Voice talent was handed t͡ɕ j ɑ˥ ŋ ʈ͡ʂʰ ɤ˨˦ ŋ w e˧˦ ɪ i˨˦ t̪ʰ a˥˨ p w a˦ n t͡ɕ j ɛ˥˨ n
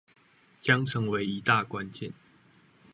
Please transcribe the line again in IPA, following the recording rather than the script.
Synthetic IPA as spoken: t͡ɕ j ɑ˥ ŋ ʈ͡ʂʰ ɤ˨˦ ŋ w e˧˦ ɪ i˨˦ t̪ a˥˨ k w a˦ n t͡ɕ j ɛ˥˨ n